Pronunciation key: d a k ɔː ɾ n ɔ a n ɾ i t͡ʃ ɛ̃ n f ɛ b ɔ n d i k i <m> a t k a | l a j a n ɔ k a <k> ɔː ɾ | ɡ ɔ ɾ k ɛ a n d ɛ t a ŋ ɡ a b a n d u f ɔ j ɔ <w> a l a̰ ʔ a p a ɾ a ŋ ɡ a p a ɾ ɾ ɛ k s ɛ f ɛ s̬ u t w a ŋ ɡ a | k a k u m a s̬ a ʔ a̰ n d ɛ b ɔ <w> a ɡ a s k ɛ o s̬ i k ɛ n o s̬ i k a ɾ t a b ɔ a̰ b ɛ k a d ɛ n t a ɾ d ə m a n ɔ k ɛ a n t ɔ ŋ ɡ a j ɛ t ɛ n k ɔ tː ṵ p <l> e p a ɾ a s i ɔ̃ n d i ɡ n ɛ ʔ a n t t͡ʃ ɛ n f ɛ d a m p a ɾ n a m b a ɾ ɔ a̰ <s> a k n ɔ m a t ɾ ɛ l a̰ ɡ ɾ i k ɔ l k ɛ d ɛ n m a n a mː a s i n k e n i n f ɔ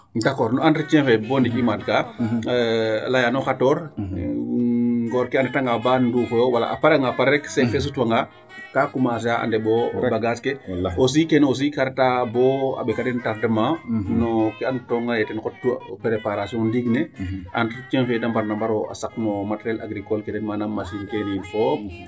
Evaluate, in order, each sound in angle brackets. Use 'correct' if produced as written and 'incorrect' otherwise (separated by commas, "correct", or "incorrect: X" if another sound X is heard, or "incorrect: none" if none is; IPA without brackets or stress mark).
correct, incorrect: t, correct, incorrect: b, incorrect: ɾ, correct